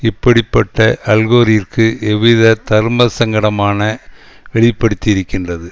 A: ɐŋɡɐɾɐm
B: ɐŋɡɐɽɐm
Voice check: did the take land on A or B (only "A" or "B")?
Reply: B